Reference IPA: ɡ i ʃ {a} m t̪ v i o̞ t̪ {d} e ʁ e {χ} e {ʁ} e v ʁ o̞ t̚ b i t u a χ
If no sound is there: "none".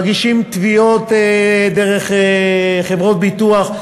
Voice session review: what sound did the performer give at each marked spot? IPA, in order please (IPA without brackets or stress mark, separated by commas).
i, d, χ, χ